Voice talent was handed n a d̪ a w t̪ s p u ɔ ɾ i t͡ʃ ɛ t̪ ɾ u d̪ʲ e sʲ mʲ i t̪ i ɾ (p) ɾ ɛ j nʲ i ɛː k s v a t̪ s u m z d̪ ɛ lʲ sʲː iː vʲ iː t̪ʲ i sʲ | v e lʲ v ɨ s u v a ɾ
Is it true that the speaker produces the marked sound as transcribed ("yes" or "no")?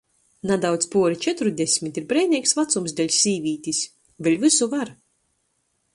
no